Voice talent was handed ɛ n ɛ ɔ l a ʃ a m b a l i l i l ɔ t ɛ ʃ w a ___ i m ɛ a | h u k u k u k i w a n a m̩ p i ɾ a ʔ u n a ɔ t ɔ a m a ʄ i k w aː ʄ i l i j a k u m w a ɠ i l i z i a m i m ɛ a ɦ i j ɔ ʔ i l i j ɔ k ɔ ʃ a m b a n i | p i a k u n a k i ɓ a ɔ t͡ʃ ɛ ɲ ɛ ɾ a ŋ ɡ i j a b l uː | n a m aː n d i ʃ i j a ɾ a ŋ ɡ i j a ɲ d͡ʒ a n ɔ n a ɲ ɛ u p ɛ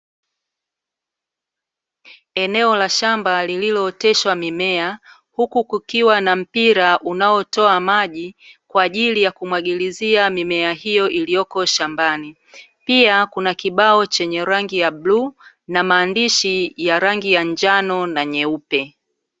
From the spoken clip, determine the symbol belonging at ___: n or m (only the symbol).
m